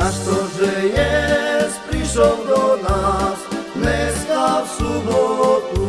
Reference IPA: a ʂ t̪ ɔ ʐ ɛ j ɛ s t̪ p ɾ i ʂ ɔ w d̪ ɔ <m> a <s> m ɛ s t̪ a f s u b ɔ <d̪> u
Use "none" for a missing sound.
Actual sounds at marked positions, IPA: n, s, t̪

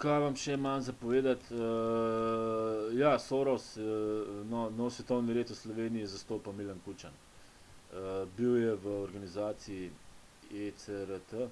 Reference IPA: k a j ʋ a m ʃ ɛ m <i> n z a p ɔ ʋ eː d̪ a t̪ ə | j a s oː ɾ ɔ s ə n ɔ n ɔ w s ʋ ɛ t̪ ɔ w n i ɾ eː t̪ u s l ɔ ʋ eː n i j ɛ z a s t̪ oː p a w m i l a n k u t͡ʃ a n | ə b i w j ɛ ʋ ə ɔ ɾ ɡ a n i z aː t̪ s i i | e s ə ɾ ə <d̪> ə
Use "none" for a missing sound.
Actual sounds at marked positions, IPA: a, t̪

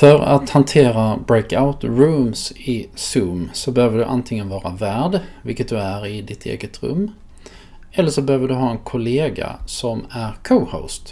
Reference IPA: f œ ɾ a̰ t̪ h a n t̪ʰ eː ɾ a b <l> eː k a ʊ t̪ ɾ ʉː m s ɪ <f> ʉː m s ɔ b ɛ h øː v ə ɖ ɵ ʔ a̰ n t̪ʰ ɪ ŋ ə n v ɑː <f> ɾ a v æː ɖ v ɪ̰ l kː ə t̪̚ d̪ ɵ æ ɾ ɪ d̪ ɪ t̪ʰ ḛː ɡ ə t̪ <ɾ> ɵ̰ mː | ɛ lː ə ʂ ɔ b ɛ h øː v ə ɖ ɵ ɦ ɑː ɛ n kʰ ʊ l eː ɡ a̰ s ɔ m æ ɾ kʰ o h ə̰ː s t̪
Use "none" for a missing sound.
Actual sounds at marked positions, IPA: ɾ, s, none, ɾ

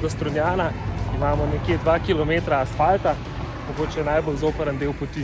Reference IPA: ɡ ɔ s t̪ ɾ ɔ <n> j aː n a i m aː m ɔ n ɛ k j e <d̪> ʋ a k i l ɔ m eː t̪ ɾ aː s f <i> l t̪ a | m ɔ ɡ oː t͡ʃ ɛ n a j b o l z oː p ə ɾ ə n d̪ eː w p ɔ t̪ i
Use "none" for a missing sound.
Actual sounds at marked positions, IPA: n, d̪, a

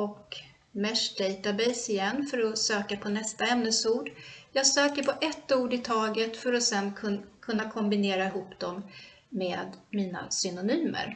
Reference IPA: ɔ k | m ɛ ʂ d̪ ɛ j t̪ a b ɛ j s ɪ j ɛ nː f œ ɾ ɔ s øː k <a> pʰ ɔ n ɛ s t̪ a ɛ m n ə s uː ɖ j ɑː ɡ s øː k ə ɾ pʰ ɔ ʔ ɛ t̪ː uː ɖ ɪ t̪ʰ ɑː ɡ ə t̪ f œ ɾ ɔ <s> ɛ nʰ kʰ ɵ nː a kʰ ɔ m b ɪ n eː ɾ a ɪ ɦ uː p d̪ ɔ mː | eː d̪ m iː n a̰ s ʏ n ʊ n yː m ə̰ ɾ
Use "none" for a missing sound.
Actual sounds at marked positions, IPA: a, s

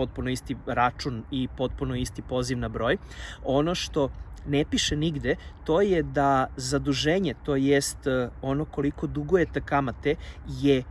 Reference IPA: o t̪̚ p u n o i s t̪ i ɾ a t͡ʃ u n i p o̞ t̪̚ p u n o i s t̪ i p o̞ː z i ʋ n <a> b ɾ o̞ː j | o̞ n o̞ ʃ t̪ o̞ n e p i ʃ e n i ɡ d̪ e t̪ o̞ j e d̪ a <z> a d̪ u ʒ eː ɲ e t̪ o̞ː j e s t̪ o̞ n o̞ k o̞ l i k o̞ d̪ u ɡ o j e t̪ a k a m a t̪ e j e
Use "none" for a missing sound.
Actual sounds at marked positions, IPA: a, z

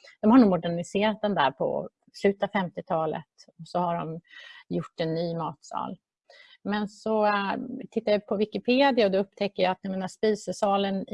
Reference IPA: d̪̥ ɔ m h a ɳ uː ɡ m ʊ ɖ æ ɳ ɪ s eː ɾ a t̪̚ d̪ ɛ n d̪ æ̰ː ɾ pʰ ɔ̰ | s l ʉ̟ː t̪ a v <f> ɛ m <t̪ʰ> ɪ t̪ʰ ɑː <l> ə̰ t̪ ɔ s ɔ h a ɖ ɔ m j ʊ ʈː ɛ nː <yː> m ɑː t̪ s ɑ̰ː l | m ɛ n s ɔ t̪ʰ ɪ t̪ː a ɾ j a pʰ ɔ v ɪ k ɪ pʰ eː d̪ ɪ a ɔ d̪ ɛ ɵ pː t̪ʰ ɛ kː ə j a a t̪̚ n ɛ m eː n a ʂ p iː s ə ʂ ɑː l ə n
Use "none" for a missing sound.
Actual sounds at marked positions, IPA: f, t̪, l, yː

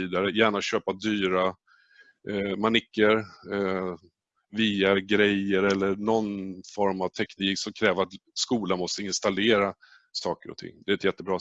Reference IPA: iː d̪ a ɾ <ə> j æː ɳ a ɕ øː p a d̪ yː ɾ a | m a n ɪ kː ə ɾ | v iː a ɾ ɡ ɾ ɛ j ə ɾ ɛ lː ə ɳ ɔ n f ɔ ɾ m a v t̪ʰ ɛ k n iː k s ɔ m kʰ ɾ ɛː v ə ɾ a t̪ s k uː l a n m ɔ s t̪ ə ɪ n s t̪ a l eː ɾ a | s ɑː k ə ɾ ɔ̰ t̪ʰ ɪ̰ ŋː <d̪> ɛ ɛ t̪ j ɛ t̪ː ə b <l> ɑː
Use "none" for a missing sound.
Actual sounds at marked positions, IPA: ə, d̪, ɾ

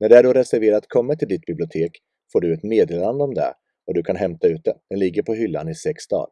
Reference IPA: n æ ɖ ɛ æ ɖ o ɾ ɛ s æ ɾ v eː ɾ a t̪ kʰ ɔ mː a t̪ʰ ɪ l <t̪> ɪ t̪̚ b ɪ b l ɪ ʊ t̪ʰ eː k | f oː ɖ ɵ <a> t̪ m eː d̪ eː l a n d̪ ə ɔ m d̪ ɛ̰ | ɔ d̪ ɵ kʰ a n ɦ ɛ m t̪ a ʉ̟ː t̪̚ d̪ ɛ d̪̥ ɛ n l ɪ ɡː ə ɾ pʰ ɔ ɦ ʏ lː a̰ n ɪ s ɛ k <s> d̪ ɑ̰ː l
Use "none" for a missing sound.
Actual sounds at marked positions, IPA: d̪, ɛ, s

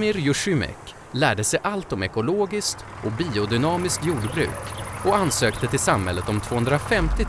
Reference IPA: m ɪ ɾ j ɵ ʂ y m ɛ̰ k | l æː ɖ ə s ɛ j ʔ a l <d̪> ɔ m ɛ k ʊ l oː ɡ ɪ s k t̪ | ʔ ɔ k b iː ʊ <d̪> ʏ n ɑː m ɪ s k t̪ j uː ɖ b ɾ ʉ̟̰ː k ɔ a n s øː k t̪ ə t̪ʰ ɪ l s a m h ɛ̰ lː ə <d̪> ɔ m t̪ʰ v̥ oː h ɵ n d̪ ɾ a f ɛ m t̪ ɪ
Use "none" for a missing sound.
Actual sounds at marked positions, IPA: t̪, d̪, t̪

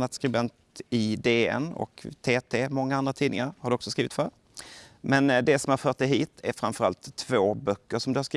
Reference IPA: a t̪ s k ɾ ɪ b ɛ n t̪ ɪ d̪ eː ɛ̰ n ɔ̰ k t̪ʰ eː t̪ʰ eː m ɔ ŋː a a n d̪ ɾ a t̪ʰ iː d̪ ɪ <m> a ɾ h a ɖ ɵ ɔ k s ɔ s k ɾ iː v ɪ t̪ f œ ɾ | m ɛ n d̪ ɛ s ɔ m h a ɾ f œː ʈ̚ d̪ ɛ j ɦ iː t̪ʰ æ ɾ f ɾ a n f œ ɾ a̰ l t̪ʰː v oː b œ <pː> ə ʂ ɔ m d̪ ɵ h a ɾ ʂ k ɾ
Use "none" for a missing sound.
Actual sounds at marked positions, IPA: ŋ, kː

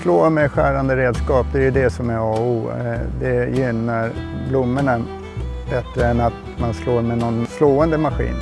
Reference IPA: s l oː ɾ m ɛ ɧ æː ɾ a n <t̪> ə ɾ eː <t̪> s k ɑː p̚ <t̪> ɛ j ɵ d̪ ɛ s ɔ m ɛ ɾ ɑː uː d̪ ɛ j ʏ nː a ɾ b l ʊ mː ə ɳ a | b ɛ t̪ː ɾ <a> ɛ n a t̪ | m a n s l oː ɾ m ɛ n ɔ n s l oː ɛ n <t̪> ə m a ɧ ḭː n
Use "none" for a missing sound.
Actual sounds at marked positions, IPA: d̪, d̪, d̪, ə, d̪

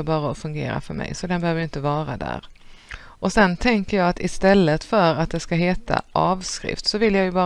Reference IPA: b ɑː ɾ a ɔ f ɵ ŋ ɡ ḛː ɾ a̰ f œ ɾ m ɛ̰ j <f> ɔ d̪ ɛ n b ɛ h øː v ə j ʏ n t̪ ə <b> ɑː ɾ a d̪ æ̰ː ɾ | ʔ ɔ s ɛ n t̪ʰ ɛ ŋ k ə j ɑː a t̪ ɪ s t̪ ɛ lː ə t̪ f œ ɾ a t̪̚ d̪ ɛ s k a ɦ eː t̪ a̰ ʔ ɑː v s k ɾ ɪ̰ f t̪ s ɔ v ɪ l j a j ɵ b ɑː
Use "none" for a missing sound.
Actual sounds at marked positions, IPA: s, v

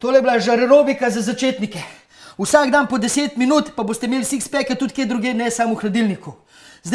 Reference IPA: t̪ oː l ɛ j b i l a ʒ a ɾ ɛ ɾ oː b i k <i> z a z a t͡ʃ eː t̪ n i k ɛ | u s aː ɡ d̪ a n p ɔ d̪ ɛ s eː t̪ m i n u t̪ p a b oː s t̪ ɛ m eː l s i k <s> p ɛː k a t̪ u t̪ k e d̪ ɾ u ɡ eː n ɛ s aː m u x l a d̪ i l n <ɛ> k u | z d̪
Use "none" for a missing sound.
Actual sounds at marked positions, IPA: a, s, i

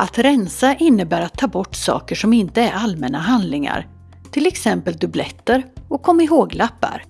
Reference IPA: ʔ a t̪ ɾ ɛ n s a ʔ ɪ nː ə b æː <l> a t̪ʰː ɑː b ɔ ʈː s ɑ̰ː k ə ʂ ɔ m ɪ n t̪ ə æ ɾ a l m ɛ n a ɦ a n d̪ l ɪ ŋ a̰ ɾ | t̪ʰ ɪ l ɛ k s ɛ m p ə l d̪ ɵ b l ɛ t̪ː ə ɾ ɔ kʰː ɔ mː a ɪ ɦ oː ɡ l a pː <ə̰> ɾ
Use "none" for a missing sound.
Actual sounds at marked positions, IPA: ɾ, a̰

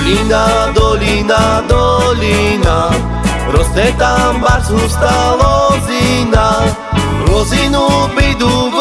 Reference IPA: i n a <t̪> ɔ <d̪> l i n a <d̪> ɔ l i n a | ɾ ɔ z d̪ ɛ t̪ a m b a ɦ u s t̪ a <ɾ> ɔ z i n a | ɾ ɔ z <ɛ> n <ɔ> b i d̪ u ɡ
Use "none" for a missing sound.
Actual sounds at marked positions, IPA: d̪, none, d̪, l, i, u

